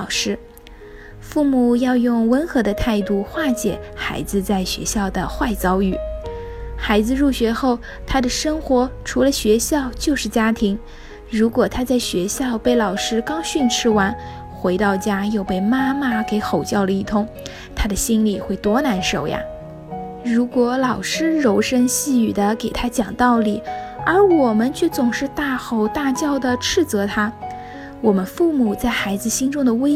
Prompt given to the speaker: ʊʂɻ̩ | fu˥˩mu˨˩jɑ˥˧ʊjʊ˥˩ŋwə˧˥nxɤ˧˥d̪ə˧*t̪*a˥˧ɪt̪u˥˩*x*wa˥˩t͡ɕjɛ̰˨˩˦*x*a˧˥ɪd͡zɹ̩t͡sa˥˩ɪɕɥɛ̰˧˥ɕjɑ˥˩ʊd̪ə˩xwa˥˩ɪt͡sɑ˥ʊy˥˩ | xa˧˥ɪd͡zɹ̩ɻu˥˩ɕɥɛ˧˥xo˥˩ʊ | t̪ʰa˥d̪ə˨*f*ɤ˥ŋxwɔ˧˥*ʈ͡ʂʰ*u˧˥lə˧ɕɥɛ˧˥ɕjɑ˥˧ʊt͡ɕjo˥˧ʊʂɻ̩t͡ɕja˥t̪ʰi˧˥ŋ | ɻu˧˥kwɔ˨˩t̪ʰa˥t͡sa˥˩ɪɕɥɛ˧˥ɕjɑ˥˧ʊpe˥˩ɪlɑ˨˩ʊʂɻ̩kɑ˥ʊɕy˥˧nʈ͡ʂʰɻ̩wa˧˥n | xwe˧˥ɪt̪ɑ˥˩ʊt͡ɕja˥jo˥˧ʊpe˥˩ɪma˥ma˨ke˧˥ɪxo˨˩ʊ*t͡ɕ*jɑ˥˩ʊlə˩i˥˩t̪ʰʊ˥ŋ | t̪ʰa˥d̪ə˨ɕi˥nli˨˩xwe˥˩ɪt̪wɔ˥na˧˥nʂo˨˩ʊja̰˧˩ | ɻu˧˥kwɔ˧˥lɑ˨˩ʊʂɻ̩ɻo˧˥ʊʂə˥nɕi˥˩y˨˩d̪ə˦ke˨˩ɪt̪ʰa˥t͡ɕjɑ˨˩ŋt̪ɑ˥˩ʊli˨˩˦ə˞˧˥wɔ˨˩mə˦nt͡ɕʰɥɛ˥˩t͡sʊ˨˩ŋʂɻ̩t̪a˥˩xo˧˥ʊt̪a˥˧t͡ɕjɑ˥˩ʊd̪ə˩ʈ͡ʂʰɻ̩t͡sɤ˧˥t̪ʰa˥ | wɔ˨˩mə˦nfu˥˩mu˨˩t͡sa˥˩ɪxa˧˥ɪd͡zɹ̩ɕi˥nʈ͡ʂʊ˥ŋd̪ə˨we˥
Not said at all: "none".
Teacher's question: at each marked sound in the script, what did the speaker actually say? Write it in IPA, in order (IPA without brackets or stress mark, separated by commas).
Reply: t̪ʰ, x, x, ʂ, ʈ͡ʂʰ, t͡ɕ